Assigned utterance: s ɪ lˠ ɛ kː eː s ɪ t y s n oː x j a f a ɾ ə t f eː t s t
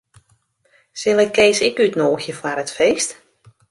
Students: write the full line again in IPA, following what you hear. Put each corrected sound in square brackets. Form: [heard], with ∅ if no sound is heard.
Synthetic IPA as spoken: s ɪ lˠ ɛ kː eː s ɪ [k] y [t] n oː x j [ə] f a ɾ ə t f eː [∅] s t